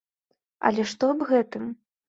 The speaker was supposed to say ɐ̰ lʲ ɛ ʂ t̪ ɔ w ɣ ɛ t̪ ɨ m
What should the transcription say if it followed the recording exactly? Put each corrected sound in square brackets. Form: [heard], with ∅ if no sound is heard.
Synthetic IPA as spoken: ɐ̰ lʲ ɛ ʂ t̪ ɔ [b] ɣ ɛ t̪ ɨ m